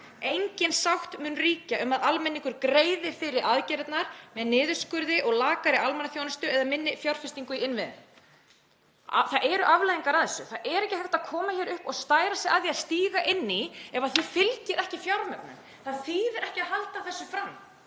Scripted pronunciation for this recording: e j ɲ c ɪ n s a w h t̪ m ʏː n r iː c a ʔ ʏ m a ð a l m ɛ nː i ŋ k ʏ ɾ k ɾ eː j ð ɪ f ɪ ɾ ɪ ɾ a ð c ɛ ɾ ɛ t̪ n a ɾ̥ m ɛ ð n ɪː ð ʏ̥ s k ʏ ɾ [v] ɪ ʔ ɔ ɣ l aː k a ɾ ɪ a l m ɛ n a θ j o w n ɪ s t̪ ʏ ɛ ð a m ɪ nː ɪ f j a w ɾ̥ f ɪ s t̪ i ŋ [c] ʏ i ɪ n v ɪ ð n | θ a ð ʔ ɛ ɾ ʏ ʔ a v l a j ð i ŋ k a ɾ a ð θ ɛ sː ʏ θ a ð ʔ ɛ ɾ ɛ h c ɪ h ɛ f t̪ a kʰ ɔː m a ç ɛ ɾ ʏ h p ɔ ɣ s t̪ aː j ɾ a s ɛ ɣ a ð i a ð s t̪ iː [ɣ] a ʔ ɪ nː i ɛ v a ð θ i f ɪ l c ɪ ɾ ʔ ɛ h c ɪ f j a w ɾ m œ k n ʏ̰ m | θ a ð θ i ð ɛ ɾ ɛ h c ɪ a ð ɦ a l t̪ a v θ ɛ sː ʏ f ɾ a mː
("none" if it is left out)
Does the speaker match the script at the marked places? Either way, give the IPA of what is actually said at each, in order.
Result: ð, k, ɣ

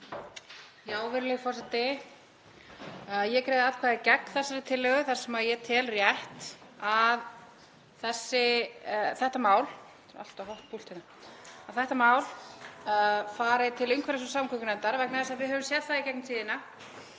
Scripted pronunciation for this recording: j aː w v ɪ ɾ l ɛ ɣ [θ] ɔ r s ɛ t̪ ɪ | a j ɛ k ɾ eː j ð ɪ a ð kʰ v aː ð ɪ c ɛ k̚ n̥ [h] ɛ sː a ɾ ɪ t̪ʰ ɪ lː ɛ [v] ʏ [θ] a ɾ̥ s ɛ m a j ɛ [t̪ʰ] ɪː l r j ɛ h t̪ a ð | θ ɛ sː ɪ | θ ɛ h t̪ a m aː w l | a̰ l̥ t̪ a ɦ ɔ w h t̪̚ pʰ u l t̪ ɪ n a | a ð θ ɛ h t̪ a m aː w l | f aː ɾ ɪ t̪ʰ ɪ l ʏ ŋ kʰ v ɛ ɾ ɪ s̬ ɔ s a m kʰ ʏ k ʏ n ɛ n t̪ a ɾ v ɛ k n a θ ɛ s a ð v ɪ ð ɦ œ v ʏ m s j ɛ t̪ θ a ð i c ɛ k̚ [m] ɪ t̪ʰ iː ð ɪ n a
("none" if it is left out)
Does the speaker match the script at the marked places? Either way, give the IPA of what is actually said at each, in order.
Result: f, θ, ɣ, θ, t̪ʰ, n

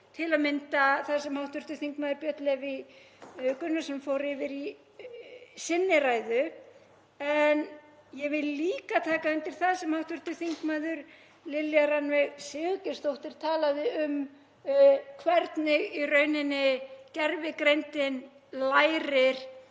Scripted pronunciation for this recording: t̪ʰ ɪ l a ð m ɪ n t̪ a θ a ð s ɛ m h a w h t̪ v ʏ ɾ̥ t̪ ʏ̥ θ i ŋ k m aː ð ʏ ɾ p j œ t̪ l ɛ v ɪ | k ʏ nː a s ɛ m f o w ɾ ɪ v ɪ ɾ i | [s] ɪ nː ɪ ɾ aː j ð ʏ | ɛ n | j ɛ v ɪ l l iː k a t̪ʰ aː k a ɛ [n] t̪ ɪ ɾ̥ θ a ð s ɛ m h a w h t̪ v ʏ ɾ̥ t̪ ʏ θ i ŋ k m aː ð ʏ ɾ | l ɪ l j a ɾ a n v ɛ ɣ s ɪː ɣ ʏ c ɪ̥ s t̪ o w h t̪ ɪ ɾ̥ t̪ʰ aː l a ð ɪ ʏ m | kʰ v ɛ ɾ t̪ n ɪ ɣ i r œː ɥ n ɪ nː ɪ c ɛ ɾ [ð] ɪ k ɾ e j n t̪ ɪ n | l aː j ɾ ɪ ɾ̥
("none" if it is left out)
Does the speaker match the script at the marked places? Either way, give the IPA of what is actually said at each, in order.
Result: s, n, v

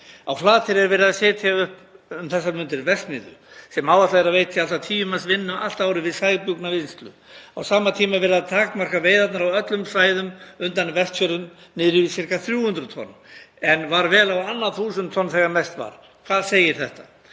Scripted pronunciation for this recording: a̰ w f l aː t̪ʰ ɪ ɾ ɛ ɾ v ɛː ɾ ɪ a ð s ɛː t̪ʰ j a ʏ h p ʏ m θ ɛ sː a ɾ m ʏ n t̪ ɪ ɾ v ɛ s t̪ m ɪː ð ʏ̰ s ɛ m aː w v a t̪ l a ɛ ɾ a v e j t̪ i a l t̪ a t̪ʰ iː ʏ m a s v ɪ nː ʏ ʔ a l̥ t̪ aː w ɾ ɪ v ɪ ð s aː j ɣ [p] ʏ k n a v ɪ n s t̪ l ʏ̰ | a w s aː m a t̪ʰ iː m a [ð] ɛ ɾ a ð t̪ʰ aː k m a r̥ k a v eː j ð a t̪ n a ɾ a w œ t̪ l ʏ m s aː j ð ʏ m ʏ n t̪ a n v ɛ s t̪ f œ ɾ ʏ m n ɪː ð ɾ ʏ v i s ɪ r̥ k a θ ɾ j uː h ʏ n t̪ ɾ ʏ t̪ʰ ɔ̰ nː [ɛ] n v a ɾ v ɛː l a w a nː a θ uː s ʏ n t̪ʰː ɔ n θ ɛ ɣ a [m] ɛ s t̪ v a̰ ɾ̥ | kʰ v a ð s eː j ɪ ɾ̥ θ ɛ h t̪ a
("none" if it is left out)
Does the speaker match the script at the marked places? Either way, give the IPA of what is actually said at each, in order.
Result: p, v, ɛ, m

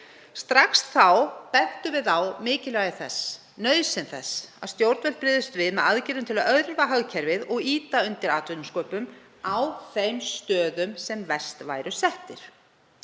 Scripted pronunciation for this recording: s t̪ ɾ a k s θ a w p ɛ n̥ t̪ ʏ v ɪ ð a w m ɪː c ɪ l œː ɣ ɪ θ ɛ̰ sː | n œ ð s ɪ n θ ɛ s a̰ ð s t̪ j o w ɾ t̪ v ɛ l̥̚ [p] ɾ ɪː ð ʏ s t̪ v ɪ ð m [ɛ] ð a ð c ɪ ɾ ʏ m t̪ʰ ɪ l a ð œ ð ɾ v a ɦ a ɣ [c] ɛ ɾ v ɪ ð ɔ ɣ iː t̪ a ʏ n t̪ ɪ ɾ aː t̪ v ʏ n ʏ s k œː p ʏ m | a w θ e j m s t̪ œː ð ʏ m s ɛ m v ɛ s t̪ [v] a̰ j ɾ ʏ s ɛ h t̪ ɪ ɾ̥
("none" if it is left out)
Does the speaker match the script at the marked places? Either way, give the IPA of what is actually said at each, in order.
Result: p, ɛ, cʰ, v

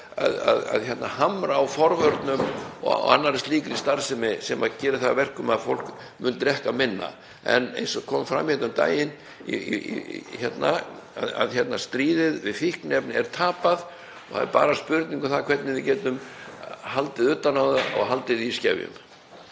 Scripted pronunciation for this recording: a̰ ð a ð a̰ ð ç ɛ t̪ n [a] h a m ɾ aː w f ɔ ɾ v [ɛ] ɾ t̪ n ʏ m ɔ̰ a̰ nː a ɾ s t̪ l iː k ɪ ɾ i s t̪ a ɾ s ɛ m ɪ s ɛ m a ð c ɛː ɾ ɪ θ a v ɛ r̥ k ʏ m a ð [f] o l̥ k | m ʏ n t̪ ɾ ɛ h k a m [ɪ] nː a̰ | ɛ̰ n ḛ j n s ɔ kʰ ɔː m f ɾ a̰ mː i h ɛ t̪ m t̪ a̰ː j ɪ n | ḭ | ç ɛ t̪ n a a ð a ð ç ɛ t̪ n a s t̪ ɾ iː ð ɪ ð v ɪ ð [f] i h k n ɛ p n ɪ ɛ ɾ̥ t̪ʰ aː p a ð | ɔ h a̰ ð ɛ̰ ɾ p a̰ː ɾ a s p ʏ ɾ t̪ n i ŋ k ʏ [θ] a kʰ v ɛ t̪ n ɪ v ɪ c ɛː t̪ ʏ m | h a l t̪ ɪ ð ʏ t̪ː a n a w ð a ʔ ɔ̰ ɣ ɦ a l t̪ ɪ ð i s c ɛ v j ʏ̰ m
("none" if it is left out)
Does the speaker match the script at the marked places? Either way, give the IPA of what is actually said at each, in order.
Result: a, œ, f, ɪ, f, θ

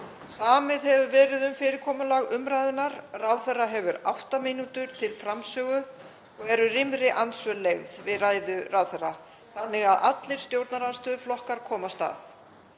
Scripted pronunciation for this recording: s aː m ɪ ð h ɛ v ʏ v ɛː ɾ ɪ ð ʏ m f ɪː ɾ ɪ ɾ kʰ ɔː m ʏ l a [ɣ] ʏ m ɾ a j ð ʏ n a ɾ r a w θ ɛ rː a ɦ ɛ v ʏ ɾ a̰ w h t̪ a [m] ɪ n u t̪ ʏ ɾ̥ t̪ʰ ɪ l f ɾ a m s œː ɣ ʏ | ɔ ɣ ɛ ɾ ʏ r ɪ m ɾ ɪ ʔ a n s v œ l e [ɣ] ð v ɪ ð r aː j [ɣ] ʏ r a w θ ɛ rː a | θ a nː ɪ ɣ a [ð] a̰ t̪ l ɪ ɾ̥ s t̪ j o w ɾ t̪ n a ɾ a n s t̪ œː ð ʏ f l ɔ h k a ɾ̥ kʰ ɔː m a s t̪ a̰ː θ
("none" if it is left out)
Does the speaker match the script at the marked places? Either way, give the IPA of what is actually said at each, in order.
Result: ɣ, m, ɣ, ð, ð

